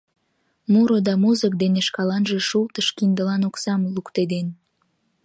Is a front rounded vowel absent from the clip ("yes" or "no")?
yes